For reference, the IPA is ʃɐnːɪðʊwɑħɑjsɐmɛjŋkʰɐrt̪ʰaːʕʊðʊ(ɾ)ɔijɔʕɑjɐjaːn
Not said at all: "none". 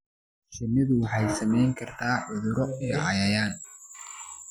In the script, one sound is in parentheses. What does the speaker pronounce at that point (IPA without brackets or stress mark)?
ɾ